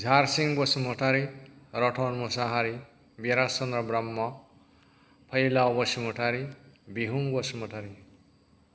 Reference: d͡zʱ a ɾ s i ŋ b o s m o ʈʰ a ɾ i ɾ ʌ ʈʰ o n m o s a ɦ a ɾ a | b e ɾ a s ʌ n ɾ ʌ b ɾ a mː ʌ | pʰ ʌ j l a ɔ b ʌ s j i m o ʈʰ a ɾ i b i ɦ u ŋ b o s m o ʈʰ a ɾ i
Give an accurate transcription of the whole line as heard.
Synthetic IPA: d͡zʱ a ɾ s i ŋ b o s m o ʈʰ a ɾ i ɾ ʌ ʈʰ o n m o s a ɦ a ɾ i | b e ɾ a s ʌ n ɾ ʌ b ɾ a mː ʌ | pʰ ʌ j l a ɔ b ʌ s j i m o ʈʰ a ɾ i b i ɦ u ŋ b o s m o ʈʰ a ɾ i